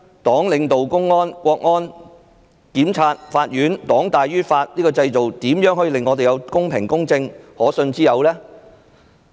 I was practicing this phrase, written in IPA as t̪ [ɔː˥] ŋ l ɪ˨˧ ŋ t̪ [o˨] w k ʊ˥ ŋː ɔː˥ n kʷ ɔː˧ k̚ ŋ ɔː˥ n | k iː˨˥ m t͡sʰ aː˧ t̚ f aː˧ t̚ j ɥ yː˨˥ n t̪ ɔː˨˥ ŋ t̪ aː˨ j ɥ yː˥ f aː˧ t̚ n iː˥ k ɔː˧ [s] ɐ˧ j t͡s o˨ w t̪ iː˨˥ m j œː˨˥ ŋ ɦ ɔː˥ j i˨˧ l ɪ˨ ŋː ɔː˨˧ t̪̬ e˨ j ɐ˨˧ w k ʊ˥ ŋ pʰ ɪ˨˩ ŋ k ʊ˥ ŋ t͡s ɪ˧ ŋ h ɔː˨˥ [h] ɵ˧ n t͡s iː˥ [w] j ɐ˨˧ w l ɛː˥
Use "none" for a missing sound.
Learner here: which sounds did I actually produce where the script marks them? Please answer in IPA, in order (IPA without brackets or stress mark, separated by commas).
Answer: ɔː˨˥, o˨, t͡s, s, none